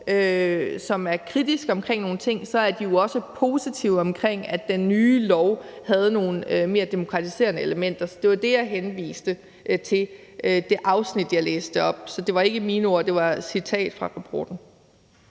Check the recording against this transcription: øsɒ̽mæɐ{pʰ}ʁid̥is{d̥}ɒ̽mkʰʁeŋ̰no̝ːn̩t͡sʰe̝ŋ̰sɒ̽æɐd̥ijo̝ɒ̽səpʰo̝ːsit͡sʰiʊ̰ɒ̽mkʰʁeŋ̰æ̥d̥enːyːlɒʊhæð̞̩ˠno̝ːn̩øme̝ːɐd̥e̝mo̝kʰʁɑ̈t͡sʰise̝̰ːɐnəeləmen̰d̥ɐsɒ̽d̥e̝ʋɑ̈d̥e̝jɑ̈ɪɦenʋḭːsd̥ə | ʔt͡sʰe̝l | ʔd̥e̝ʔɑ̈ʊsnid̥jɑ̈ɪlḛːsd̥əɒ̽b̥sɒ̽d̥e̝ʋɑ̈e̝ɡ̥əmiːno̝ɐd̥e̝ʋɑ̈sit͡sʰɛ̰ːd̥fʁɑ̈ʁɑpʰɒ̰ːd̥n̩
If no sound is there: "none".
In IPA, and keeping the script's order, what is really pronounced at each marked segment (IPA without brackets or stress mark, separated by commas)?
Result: kʰ, ɡ̥